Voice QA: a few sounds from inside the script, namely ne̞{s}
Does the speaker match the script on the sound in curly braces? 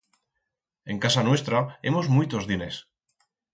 yes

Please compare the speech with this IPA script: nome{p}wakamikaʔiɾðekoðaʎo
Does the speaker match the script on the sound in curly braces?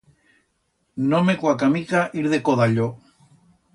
no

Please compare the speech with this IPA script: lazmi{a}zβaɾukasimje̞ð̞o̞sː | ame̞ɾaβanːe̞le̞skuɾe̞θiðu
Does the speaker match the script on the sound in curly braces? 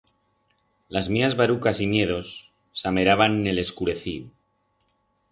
yes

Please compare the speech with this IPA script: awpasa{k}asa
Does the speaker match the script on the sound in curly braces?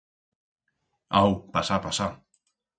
no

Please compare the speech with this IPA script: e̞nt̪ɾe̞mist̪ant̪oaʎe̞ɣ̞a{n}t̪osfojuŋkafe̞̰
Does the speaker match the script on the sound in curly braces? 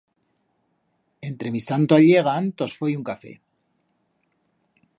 yes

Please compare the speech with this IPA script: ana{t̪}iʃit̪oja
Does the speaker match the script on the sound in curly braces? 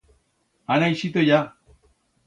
no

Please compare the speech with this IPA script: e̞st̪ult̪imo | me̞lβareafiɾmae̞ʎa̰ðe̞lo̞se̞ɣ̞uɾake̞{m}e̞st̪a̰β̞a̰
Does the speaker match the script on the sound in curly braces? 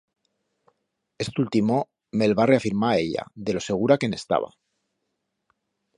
no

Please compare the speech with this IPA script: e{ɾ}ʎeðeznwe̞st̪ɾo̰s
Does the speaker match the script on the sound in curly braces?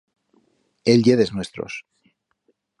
no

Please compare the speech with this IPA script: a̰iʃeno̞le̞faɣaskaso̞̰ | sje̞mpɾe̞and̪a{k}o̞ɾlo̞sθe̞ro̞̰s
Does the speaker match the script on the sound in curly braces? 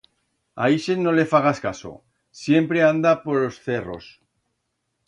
no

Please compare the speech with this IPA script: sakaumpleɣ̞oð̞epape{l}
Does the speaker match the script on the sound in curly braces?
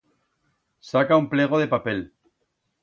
yes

